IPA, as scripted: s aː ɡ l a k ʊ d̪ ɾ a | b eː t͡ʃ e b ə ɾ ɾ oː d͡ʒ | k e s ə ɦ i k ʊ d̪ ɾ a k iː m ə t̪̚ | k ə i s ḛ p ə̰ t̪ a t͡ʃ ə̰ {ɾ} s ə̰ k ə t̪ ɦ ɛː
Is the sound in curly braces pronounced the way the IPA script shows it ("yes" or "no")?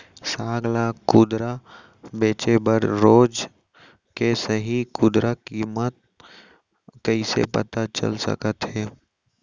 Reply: no